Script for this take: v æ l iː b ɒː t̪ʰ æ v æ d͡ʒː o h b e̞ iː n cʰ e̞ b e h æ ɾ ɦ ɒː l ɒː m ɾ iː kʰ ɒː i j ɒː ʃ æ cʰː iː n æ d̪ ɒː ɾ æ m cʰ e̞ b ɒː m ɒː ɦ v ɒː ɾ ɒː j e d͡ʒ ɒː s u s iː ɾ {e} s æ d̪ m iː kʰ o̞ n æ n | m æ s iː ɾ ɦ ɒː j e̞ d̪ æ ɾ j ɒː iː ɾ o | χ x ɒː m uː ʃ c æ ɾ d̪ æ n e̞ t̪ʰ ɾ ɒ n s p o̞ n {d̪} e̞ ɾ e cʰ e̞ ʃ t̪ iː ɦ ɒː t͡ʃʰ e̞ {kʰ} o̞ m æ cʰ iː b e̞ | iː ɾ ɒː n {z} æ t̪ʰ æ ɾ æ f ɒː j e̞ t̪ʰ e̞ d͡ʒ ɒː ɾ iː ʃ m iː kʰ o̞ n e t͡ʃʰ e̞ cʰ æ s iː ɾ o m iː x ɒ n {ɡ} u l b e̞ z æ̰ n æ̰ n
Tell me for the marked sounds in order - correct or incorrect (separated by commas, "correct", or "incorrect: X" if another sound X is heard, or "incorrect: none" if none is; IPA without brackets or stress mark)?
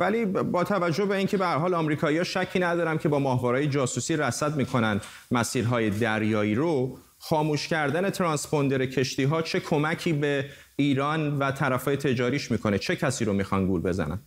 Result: incorrect: æ, correct, correct, incorrect: v, correct